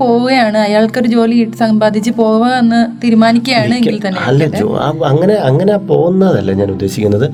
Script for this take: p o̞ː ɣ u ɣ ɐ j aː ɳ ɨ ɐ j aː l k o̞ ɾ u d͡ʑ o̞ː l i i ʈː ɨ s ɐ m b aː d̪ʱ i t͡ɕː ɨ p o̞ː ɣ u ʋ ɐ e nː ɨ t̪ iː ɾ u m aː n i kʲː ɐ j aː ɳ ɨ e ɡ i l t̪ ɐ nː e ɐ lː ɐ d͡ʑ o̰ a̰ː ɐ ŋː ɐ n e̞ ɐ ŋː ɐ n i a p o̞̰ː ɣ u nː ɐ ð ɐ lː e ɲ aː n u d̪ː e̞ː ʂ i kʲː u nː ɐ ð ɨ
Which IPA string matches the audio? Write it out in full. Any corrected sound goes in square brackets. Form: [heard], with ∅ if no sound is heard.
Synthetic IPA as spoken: p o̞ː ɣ u ɣ ɐ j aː ɳ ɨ ɐ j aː [ɭ] k o̞ ɾ u d͡ʑ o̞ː l i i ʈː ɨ s ɐ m b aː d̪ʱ i t͡ɕː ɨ p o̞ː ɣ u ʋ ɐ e nː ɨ t̪ iː ɾ u m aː n i kʲː ɐ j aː ɳ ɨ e ɡ i l t̪ ɐ nː e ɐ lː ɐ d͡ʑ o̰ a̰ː ɐ ŋː ɐ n e̞ ɐ ŋː ɐ n [e] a p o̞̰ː ɣ u nː ɐ ð ɐ lː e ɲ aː n u d̪ː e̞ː [ɕ] i kʲː u nː ɐ ð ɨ